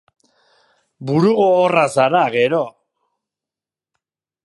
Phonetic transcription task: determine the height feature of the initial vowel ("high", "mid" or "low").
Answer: high